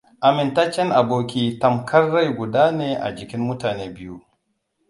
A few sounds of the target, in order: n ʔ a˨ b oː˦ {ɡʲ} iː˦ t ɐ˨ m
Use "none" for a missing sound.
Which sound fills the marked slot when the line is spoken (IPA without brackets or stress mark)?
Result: kʲ